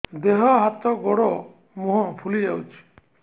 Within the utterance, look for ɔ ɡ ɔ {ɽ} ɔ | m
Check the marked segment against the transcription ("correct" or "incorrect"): correct